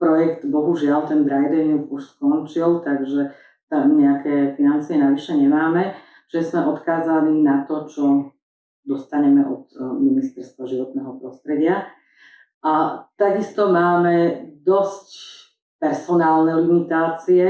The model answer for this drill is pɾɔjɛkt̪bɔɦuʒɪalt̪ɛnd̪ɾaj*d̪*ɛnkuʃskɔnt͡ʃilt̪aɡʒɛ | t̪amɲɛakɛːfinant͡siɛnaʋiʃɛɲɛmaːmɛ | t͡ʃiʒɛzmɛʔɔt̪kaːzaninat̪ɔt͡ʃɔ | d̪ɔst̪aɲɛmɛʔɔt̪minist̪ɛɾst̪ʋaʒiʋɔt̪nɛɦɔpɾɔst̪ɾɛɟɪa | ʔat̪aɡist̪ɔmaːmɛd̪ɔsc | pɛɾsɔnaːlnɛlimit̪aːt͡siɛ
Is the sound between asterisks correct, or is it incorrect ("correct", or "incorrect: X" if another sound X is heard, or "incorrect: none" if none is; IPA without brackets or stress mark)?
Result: correct